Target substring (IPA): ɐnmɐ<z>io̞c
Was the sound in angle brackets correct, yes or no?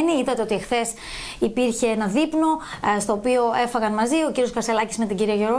yes